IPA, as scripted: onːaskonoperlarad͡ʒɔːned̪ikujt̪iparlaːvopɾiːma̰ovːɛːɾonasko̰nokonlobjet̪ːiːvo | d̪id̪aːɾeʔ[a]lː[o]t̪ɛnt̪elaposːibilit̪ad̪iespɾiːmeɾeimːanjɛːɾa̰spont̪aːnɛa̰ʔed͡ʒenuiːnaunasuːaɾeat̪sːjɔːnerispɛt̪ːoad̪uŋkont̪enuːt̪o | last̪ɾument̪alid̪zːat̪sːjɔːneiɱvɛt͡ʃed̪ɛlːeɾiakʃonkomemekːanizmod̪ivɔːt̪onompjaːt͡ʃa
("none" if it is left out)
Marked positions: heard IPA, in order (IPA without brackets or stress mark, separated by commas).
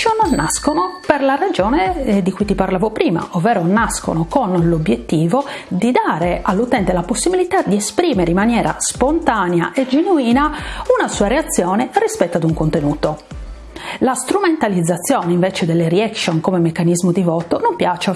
a, u